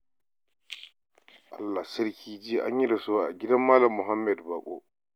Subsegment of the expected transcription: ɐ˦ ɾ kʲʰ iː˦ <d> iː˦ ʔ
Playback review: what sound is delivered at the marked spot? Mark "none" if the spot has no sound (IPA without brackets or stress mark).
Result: d͡ʒ